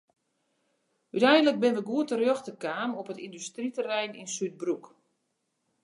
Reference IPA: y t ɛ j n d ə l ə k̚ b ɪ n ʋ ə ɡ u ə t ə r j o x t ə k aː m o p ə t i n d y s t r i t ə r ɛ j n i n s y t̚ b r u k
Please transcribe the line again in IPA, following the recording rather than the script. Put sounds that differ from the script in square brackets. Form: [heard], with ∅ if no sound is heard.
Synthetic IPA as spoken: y t ɛ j n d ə l ə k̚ b ɪ n ʋ ə ɡ u ə t ə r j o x t ə k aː m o p ə t i n d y s t r i t ə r ɛ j n i n s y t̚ b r u k